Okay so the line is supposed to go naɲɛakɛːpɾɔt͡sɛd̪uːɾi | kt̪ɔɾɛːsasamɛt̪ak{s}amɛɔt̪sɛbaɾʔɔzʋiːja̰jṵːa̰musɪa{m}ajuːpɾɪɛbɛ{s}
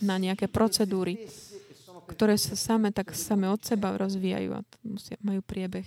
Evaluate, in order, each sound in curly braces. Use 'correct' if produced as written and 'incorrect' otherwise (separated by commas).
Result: correct, correct, incorrect